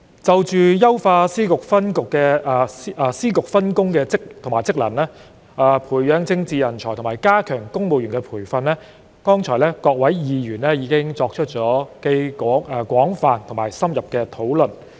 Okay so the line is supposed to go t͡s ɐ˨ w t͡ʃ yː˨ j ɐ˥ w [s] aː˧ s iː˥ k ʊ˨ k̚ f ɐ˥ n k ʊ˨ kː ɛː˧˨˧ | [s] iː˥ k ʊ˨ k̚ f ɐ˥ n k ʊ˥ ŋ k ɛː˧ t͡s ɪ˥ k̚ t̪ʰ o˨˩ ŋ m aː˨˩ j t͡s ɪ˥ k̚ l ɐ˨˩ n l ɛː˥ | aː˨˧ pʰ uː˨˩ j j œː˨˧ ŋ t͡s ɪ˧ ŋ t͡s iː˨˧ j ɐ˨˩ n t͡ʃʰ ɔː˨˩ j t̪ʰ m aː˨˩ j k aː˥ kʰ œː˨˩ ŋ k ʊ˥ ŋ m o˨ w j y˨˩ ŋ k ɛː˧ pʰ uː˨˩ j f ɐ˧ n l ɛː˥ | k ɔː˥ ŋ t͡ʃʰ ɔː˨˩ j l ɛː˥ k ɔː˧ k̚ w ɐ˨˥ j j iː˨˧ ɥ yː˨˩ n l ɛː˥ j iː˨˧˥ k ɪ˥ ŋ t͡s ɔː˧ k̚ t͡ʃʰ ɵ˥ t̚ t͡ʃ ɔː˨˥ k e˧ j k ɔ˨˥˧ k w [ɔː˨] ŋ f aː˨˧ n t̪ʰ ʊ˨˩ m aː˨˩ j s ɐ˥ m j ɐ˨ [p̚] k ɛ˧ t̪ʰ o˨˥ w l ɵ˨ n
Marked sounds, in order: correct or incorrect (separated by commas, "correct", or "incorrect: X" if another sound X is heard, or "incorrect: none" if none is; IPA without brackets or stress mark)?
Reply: incorrect: f, correct, incorrect: ɔː˨˥, correct